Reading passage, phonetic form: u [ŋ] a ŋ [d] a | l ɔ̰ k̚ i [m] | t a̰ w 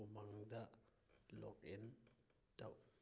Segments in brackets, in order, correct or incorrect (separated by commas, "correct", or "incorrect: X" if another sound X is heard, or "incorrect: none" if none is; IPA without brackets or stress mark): incorrect: m, correct, incorrect: n